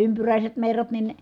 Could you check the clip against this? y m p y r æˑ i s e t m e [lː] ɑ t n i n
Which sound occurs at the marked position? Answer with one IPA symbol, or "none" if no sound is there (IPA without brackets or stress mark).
rː